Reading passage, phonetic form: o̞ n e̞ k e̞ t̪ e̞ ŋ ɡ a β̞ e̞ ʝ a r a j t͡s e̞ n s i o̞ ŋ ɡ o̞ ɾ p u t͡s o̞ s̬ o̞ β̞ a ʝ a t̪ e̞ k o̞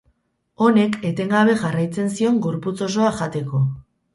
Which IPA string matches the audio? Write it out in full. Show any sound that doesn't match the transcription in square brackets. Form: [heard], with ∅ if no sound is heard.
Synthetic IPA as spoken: o̞ n e̞ k e̞ t̪ e̞ ŋ ɡ a β̞ e̞ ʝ a r a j t͡s e̞ n s i o̞ ŋ ɡ o̞ ɾ p u t͡s o̞ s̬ o̞ [∅] a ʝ a t̪ e̞ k o̞